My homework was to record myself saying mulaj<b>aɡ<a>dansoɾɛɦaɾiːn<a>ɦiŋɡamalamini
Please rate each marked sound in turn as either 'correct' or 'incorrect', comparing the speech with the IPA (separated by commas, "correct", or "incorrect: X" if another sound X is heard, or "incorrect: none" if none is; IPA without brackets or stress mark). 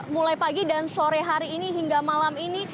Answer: incorrect: p, incorrect: i, incorrect: i